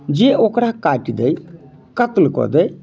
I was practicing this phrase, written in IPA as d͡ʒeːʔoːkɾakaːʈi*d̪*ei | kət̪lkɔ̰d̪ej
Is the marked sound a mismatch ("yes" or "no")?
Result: no